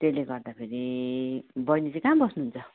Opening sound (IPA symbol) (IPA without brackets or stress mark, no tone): t̪